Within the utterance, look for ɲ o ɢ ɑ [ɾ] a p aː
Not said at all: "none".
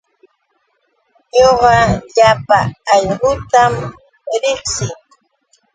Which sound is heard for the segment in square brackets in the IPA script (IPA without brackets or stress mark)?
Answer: ʎ